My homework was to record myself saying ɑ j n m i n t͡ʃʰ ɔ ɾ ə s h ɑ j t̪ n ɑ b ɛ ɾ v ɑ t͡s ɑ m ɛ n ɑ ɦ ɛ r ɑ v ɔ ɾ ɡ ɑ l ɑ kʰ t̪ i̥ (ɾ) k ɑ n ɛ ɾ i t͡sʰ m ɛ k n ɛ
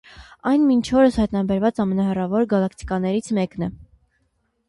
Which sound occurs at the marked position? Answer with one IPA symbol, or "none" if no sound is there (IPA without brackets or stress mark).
none